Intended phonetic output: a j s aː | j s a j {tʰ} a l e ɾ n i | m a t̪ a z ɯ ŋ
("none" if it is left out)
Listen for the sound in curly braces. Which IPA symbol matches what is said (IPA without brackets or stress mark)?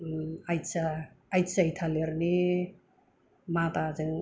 tʰ